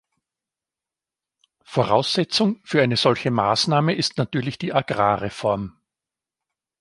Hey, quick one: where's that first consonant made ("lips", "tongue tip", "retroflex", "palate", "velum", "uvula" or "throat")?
lips